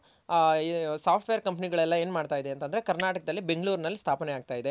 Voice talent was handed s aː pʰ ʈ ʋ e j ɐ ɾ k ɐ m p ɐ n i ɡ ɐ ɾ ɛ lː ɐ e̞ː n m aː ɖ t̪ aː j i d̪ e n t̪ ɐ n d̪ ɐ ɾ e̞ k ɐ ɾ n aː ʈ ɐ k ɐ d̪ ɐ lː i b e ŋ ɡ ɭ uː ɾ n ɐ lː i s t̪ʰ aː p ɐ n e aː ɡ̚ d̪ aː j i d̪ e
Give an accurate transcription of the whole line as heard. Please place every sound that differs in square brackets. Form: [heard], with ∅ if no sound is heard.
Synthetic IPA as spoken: s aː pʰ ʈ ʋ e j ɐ ɾ k ɐ m p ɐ n i ɡ ɐ [ɭ] ɛ lː ɐ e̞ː n m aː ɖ t̪ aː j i d̪ e n t̪ ɐ n d̪ ɐ ɾ e̞ k ɐ ɾ n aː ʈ ɐ k ɐ d̪ ɐ lː i b e ŋ ɡ ɭ uː ɾ n ɐ lː i s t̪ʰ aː p ɐ n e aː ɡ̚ [t̪] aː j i d̪ e